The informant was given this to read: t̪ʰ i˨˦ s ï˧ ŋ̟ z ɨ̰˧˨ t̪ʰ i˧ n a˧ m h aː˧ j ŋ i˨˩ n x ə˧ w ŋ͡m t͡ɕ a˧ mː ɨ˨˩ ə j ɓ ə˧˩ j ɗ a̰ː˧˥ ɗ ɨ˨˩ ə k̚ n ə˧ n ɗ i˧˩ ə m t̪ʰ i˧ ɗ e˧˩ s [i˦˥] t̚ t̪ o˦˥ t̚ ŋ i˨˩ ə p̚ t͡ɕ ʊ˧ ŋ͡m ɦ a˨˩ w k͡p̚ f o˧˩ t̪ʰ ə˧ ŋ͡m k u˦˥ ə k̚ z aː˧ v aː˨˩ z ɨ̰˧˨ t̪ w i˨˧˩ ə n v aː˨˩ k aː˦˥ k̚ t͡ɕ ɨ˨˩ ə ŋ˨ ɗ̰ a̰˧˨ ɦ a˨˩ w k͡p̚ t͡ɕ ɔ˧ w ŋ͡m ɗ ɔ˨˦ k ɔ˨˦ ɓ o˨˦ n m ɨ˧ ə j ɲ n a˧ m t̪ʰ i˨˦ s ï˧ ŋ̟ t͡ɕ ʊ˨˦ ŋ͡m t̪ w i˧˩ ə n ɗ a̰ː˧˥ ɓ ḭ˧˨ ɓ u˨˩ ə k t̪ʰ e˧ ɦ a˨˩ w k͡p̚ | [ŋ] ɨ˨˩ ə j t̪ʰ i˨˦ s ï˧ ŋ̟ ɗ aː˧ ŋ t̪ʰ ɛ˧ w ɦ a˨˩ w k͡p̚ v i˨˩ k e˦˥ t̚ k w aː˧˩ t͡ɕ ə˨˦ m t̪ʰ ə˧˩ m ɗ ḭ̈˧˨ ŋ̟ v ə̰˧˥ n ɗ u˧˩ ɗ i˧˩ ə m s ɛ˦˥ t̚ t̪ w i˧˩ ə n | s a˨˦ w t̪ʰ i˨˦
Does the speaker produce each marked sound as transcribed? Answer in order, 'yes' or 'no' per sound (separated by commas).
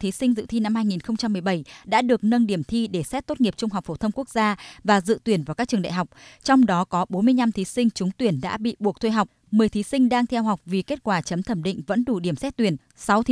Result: no, no